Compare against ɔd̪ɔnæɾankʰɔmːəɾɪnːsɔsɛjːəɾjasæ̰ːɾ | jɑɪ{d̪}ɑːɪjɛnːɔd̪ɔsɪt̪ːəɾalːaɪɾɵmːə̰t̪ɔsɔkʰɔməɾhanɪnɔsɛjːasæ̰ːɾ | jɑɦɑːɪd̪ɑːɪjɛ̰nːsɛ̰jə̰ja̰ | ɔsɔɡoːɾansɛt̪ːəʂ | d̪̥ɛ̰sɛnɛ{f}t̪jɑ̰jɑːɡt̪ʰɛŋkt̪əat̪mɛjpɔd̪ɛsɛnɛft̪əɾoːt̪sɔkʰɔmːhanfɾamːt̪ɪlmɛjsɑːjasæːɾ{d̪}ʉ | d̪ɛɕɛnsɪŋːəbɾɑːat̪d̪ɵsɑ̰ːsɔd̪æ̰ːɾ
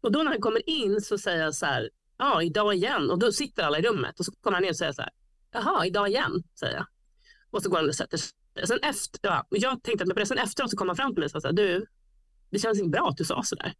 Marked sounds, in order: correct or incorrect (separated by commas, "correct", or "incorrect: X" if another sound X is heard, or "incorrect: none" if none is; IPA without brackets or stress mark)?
correct, correct, correct